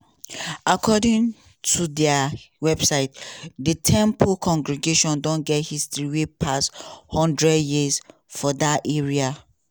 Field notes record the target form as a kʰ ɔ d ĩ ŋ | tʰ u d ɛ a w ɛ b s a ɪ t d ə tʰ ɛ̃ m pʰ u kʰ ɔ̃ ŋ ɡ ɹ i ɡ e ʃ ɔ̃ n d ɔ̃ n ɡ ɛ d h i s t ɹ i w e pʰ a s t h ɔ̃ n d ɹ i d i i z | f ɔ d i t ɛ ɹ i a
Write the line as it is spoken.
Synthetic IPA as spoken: a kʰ ɔ d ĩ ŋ | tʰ u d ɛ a w ɛ b s a ɪ t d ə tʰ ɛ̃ m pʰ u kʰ ɔ̃ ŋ ɡ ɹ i ɡ e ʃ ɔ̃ n d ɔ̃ n ɡ ɛ t h i s t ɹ i w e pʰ a s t h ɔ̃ n d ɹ ɛ d j i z | f ɔ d a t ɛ ɹ i a